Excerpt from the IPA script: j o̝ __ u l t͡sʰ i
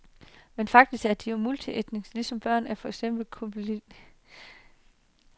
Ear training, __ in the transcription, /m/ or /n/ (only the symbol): m